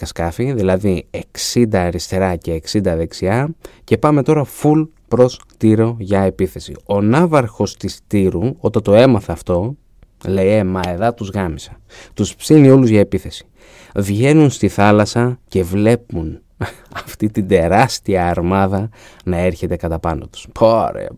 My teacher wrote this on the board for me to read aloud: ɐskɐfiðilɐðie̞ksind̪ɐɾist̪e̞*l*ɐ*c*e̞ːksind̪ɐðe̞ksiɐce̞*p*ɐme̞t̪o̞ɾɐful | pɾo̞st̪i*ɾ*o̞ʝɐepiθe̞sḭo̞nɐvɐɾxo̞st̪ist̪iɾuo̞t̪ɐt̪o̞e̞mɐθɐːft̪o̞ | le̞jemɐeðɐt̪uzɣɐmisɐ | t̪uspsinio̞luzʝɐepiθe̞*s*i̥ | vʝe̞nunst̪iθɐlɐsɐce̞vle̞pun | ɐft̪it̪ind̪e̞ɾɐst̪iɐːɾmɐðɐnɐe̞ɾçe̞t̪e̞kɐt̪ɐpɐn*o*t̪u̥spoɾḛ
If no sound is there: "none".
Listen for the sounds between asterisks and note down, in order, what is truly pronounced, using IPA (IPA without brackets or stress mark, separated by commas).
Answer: ɾ, c, p, ɾ, s, o